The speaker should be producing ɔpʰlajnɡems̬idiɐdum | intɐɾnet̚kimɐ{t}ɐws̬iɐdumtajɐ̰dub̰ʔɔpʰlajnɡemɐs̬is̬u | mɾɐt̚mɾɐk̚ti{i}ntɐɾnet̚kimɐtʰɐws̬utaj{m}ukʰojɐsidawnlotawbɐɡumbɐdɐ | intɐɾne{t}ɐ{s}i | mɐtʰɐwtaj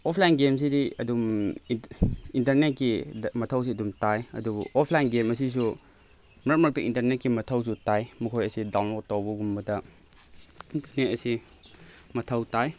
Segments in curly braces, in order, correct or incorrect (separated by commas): incorrect, correct, correct, correct, correct